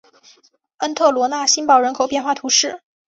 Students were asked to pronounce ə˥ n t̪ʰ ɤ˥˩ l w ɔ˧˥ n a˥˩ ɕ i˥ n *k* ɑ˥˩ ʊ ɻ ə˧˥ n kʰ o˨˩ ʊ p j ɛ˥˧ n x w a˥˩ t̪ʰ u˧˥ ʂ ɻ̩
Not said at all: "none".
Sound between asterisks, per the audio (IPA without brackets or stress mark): p